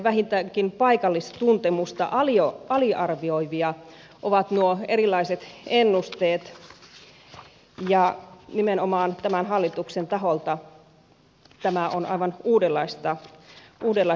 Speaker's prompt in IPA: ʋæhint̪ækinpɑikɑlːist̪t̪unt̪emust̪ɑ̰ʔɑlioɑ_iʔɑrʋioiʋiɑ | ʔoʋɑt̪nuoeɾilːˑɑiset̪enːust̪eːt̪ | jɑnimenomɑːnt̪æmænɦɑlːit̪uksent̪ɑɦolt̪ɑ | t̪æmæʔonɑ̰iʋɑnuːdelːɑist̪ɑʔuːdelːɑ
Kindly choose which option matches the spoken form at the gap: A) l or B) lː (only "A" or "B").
A